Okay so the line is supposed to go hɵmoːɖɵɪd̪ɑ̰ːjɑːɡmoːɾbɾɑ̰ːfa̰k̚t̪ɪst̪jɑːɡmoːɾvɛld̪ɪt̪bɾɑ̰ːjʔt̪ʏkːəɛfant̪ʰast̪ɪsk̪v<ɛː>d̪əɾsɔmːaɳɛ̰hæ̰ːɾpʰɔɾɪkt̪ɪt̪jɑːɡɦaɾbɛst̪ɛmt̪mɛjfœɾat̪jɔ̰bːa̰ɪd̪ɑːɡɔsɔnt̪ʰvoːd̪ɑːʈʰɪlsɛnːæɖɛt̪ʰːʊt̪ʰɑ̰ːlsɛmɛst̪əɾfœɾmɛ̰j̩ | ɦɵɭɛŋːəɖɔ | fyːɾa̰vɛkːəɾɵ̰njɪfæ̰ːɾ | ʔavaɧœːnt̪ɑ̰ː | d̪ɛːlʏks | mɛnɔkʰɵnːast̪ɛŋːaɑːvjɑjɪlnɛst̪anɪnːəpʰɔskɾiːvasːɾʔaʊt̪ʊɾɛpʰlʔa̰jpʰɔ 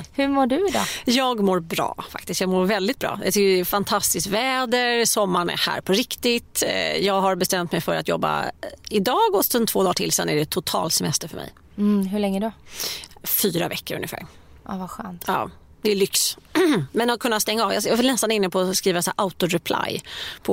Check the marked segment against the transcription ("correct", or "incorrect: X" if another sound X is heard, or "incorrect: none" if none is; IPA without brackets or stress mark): correct